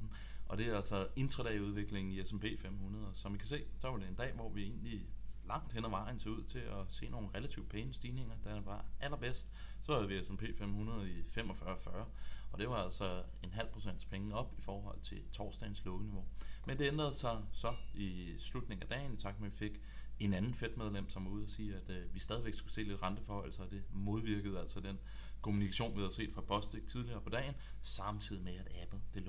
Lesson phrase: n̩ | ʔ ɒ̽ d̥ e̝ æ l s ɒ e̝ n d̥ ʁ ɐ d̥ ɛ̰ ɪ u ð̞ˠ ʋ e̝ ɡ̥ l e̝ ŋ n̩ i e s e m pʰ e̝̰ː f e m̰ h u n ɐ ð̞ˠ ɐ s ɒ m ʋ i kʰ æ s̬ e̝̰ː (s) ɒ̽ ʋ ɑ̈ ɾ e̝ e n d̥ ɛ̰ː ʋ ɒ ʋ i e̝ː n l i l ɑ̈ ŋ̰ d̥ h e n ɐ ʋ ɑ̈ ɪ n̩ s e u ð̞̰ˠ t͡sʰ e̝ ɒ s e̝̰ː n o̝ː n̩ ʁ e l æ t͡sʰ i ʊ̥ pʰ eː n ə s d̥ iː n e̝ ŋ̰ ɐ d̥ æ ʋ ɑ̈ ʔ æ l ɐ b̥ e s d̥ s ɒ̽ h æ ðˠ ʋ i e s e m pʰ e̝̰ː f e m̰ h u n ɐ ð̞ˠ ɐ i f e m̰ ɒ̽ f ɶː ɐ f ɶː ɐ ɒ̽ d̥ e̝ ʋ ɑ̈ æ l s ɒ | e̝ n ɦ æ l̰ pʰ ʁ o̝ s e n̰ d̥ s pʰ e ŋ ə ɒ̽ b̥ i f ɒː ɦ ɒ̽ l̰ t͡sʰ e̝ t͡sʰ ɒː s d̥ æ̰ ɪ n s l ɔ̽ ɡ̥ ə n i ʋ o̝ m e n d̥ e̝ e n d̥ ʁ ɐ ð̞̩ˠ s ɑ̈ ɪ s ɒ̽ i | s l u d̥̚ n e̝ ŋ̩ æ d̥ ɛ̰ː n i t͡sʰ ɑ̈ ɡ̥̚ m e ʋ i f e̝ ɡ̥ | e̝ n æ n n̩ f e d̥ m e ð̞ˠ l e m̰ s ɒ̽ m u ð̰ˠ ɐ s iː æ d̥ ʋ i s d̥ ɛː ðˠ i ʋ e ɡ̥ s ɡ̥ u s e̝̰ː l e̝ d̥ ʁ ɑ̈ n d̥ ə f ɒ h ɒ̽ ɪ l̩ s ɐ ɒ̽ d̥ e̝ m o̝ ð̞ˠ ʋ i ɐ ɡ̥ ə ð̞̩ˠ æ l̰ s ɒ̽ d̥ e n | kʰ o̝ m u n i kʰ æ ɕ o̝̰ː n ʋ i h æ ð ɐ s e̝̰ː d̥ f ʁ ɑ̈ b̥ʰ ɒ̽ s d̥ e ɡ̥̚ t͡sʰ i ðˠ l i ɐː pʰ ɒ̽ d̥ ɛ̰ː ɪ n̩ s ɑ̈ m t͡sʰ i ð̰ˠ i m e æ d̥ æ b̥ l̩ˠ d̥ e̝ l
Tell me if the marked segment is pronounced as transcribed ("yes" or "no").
yes